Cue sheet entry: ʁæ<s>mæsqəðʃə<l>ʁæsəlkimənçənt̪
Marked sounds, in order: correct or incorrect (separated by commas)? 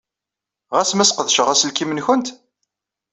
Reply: correct, incorrect